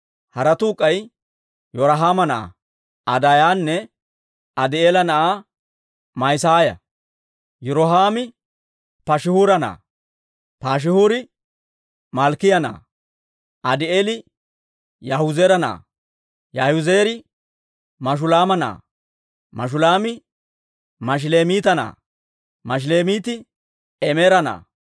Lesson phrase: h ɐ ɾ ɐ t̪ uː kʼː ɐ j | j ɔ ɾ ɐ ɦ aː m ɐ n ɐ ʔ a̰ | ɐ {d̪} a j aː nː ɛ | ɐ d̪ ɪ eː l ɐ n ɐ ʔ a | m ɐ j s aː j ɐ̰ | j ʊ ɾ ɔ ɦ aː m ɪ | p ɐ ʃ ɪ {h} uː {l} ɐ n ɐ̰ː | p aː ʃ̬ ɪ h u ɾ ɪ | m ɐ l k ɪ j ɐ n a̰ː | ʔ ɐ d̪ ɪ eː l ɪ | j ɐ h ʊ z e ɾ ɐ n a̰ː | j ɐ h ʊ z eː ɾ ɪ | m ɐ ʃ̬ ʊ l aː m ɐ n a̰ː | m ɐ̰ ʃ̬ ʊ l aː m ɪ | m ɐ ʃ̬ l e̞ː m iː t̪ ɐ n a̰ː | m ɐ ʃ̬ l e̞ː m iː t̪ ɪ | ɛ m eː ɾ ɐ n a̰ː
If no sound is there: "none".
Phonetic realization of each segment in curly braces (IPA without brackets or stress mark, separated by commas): d̪, h, ɾ